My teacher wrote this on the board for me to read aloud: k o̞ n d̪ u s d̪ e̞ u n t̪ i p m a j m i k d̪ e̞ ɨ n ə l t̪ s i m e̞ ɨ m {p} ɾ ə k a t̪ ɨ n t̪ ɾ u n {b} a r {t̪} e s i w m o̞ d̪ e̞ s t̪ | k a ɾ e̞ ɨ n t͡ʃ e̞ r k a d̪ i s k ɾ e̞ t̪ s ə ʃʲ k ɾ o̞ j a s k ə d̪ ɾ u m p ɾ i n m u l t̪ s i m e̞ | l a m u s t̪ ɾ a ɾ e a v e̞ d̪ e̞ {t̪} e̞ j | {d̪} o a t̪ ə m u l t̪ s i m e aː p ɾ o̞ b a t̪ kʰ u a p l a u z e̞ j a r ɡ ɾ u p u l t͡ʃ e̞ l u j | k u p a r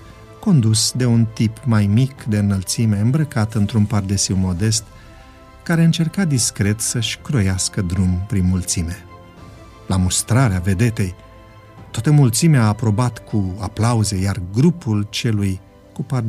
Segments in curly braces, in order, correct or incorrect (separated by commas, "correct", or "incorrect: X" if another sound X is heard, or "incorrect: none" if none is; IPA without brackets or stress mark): incorrect: b, incorrect: p, incorrect: d̪, correct, incorrect: t̪